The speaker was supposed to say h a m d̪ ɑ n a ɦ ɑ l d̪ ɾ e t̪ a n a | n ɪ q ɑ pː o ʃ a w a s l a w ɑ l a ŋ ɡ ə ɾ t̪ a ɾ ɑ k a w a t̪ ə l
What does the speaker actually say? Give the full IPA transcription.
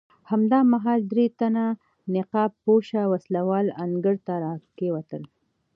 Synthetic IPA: h a m d̪ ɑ m a ɦ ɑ l d̪ ɾ e t̪ a n a | n ɪ q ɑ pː o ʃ a w a s l a w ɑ l a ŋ ɡ ə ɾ t̪ a ɾ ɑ k e w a t̪ ə l